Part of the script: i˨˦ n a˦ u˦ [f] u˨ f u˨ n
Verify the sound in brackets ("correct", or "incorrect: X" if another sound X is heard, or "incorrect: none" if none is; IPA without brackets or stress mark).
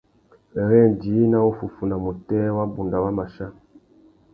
correct